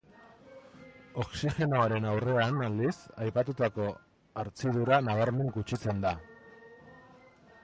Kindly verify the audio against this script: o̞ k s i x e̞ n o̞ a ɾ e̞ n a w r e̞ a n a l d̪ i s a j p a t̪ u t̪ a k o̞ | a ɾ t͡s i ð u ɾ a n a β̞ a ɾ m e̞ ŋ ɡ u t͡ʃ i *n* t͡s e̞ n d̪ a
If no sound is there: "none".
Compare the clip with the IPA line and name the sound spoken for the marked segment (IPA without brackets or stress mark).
none